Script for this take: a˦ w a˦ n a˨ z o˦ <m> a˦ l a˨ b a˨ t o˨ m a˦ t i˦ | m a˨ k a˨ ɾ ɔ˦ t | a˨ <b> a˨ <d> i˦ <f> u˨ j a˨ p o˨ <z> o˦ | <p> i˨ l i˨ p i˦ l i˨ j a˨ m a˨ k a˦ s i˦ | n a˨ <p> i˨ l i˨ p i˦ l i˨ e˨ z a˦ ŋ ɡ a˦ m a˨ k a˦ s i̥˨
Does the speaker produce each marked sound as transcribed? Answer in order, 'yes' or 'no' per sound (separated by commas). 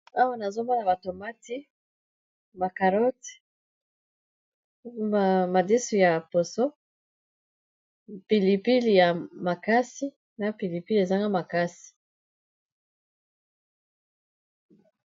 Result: yes, no, yes, no, no, yes, yes